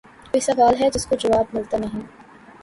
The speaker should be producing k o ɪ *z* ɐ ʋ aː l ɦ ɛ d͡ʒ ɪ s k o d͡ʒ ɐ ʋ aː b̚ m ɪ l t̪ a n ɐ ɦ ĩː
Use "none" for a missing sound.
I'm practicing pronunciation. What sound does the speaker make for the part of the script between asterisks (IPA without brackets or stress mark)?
s